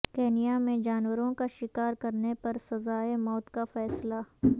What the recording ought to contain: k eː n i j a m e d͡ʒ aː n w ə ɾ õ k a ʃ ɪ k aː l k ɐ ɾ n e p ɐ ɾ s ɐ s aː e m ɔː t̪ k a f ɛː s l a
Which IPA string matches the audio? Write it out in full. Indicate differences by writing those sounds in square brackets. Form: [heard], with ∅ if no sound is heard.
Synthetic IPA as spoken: k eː n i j a m [ẽ] d͡ʒ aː n w ə ɾ õ k a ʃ ɪ k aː [ɾ] k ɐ ɾ n e p ɐ ɾ s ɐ [z] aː e m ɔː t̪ k a f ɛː s l a